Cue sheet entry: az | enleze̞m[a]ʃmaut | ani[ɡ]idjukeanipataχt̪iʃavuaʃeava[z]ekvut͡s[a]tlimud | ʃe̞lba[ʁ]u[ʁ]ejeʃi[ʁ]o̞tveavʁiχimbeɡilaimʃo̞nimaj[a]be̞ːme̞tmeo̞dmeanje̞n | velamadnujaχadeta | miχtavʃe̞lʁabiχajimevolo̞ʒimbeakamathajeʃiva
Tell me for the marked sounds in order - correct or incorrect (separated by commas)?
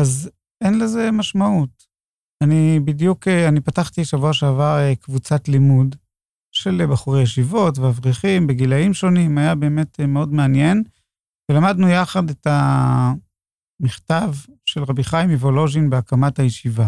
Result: correct, incorrect, incorrect, correct, incorrect, correct, incorrect, correct